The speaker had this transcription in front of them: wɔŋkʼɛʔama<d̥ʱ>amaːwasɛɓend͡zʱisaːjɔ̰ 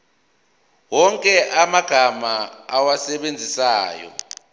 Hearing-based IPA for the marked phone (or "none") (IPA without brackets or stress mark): ɡ̥ʱ